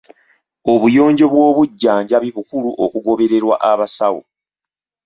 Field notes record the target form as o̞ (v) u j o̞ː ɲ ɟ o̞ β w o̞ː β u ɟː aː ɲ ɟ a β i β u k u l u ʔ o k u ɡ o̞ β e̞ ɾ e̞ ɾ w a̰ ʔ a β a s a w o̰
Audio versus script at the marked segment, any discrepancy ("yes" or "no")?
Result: yes